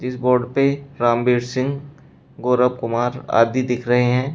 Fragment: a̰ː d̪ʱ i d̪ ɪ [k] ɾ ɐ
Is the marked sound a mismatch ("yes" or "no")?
yes